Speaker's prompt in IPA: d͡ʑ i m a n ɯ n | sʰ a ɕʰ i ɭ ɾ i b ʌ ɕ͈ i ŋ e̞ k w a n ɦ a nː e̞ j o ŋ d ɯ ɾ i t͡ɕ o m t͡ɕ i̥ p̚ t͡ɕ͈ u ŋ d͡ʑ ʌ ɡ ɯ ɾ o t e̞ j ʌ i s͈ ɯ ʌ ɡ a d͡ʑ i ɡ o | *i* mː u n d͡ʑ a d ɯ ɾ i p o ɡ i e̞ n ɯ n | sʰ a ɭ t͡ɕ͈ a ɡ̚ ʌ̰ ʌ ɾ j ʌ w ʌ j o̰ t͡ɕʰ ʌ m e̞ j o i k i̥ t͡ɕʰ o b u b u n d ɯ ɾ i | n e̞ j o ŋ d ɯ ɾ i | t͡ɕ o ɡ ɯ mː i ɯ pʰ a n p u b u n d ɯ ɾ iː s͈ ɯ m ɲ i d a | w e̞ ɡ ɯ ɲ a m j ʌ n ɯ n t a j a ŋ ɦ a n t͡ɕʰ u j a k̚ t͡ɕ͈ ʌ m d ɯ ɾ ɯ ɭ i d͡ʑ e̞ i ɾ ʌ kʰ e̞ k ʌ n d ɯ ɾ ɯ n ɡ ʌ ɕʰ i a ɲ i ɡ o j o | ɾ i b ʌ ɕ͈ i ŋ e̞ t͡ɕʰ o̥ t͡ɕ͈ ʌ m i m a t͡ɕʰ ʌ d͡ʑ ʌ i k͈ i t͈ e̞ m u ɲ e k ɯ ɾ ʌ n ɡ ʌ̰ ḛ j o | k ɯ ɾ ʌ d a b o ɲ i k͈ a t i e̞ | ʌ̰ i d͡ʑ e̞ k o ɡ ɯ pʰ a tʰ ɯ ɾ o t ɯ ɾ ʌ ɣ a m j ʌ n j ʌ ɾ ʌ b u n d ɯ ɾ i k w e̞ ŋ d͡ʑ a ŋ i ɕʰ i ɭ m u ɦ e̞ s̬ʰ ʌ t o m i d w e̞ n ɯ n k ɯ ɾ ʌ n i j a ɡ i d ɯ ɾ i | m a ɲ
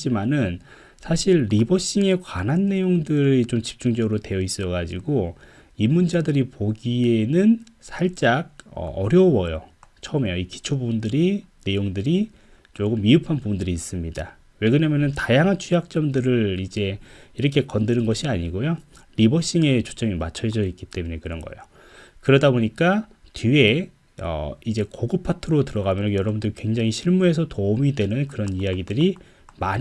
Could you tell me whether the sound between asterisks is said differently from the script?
no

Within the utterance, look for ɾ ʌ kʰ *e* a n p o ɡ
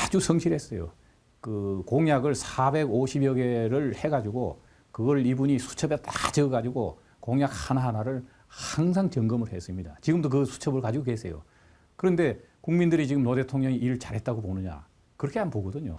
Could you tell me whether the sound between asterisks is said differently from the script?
no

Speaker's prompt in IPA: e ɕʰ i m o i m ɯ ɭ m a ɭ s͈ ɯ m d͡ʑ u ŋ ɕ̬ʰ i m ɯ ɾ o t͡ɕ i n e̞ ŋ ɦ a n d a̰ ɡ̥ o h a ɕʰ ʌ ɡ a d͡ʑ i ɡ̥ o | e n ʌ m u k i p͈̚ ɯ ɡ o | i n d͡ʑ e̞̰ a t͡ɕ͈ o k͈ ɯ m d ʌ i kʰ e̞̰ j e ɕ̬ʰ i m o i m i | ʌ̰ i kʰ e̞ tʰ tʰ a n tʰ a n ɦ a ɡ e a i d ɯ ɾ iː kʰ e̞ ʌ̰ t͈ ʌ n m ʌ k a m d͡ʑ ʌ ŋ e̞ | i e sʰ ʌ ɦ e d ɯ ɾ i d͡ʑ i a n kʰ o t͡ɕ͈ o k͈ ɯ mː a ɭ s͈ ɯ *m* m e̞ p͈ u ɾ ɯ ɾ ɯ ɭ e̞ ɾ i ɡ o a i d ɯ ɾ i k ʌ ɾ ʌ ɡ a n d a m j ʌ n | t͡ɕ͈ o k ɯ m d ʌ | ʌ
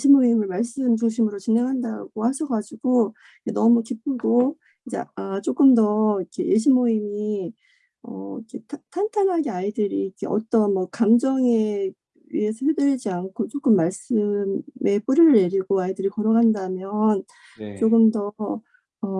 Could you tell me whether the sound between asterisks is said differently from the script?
no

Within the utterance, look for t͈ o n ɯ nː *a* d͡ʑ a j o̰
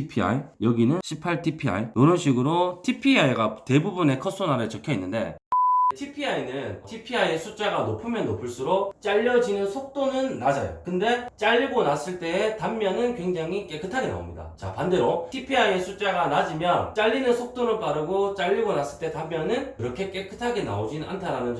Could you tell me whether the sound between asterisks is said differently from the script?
no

